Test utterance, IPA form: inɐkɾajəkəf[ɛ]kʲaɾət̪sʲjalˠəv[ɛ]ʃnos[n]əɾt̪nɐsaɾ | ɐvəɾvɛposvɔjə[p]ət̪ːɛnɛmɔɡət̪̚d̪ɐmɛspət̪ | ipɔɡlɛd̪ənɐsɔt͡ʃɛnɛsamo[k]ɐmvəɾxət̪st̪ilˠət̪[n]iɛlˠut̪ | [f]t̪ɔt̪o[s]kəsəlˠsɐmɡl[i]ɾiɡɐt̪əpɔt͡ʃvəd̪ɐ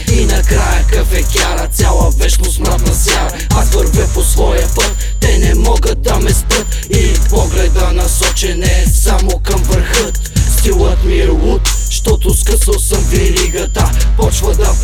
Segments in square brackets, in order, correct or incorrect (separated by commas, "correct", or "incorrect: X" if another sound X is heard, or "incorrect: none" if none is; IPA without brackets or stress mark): correct, correct, incorrect: m, correct, correct, incorrect: m, incorrect: ʃ, correct, correct